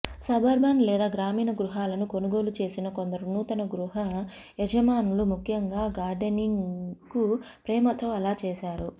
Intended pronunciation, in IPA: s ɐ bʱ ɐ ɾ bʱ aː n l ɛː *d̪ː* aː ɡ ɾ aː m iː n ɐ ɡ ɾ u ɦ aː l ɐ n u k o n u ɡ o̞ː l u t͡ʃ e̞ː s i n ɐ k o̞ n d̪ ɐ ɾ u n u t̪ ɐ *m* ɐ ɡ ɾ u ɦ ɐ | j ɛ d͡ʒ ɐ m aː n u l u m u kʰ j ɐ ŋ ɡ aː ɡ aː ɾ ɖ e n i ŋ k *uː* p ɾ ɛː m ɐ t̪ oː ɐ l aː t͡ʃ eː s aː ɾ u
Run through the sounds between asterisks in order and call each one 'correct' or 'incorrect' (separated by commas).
incorrect, incorrect, incorrect